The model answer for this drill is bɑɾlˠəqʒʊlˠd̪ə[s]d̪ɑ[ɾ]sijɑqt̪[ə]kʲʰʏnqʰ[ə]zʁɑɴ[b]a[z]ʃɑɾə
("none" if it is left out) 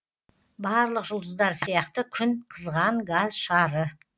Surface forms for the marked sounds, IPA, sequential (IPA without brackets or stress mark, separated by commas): z, ɾ, ə, ə, ɡ, z